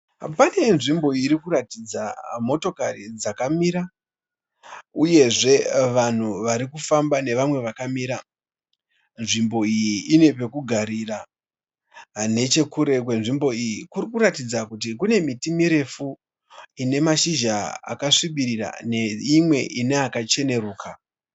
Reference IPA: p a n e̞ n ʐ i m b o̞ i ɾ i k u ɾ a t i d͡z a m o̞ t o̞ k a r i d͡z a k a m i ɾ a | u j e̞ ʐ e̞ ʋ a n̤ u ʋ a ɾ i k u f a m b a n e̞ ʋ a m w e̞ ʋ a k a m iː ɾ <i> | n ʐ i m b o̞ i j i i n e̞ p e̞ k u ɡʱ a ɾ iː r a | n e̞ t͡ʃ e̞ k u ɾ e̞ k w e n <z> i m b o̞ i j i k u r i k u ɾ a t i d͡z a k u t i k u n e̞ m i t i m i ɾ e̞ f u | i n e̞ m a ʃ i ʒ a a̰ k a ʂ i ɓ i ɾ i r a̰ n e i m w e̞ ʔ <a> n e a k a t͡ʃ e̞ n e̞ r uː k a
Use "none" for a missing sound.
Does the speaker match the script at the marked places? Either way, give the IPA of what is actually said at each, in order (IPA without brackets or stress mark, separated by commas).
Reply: a, ʐ, i